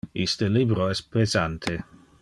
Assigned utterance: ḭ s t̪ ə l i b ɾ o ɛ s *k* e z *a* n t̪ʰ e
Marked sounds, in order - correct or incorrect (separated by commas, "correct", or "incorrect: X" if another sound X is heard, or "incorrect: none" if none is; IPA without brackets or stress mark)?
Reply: incorrect: p, correct